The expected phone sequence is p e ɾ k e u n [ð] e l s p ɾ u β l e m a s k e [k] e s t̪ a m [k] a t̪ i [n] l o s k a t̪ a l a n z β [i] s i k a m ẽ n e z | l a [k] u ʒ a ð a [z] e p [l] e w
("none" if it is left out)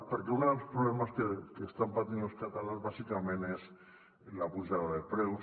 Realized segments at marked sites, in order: ð, k, p, n, a, p, ð, ɾ

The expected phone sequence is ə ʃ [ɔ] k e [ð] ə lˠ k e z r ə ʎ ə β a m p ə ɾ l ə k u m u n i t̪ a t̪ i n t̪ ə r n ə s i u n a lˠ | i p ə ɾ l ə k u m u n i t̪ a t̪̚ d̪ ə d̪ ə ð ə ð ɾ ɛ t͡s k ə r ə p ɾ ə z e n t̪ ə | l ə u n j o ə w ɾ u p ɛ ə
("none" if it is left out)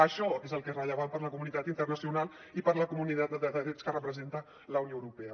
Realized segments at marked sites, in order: ɔ, z

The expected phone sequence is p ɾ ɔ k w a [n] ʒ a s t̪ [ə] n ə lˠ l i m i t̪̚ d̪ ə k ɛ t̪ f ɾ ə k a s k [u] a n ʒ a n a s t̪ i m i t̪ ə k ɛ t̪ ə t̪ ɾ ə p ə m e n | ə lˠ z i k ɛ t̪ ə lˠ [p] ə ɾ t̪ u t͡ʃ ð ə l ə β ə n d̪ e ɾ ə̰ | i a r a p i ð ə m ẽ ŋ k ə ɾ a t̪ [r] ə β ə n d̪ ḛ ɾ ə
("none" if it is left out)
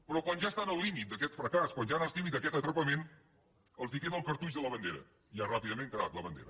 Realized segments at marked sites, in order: n, a, w, k, l

